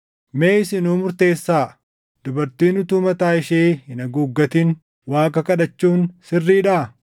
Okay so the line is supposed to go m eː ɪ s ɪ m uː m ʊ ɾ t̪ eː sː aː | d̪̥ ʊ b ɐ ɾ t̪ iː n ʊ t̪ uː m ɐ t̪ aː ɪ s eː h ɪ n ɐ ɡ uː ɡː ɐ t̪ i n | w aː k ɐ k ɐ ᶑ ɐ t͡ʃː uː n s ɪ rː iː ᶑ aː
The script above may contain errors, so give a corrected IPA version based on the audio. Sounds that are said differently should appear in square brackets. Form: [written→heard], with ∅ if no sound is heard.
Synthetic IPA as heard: m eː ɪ s ɪ [m→n] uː m ʊ ɾ t̪ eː sː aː | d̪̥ ʊ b ɐ ɾ t̪ iː n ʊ t̪ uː m ɐ t̪ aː ɪ [s→ʃ] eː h ɪ n ɐ ɡ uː ɡː ɐ t̪ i n | w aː k ɐ k ɐ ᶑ ɐ t͡ʃː uː n s ɪ rː iː ᶑ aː